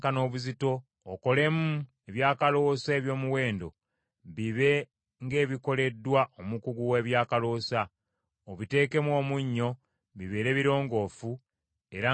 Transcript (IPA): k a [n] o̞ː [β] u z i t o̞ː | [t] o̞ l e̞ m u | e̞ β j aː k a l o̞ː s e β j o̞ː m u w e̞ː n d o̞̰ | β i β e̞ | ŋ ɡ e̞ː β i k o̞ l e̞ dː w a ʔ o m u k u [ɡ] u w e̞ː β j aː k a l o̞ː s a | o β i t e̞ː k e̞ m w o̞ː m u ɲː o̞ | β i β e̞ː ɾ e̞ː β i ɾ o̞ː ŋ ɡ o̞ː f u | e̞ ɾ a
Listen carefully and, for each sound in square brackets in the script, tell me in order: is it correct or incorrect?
correct, correct, incorrect, correct

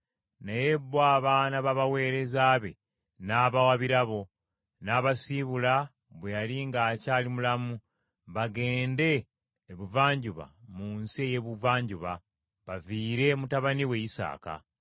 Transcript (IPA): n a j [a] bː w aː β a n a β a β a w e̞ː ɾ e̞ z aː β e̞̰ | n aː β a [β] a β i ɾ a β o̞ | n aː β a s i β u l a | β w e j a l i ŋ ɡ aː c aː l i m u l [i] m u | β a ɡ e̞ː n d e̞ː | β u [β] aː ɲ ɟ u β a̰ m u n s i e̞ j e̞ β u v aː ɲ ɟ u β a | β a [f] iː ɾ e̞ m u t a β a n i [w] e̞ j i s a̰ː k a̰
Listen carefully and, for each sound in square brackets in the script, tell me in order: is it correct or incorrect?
incorrect, incorrect, incorrect, incorrect, incorrect, correct

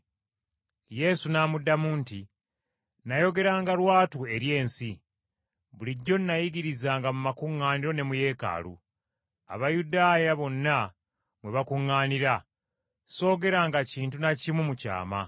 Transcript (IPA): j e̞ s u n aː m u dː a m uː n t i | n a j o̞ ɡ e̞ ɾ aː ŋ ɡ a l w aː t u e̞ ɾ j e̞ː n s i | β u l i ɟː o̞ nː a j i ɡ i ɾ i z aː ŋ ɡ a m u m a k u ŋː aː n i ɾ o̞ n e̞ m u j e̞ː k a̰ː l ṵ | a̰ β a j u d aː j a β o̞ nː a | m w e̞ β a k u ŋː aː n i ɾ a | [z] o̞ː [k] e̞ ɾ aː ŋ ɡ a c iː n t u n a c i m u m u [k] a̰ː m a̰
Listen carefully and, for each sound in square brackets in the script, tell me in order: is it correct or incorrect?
incorrect, incorrect, incorrect

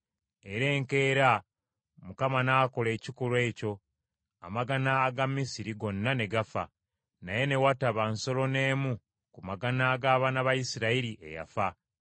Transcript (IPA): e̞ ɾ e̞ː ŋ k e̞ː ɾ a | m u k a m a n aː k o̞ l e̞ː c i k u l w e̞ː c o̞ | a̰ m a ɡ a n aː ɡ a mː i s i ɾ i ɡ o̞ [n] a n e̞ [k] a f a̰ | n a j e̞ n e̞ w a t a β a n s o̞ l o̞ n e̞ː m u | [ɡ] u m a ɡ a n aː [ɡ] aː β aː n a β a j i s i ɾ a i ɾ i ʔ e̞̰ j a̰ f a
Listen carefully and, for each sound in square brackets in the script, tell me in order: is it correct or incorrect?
incorrect, incorrect, incorrect, correct

